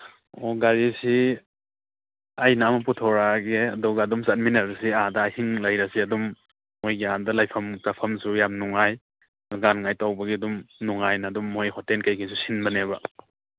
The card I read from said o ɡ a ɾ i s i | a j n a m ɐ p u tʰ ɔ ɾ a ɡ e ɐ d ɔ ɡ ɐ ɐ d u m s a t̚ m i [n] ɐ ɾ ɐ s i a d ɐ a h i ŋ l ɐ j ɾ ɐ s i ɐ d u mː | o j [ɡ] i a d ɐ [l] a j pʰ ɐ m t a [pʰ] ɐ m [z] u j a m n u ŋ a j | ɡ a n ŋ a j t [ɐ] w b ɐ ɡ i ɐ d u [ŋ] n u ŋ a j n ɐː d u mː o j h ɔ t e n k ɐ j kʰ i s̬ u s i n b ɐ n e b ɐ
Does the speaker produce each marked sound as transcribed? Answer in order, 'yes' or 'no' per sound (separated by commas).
yes, yes, yes, yes, no, no, no